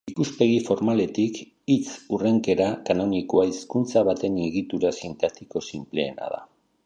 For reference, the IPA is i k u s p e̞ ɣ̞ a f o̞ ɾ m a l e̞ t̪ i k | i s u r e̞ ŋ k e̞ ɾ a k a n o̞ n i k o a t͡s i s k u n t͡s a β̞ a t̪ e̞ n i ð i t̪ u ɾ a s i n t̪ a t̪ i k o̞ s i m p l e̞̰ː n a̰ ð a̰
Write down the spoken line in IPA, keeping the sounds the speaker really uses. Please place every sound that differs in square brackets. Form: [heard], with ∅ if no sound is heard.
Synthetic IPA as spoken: i k u s p e̞ ɣ̞ [i] f o̞ ɾ m a l e̞ t̪ i k | i [t͡s] u r e̞ ŋ k e̞ ɾ a k a n o̞ n i k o a [∅] i s k u n t͡s a β̞ a t̪ e̞ n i [ɣ] i t̪ u ɾ a s i n t̪ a t̪ i k o̞ s i m p l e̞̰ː n a̰ ð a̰